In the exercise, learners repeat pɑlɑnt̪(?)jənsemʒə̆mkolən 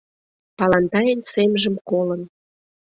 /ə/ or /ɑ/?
ɑ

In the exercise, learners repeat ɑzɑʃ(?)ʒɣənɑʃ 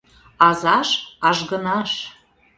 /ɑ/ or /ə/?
ɑ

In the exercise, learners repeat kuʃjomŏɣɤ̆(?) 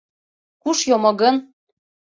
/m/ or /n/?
n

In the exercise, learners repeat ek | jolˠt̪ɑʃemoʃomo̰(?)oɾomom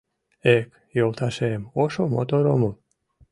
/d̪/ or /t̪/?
t̪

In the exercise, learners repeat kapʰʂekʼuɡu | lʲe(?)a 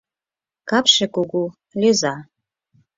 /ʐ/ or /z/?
z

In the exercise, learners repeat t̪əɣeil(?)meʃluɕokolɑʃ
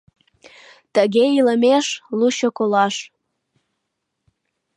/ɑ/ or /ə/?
ə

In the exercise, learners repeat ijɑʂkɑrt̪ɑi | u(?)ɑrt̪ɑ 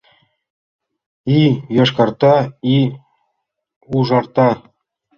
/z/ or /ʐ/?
ʐ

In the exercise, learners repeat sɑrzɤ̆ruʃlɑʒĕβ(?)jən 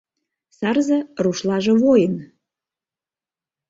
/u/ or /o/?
o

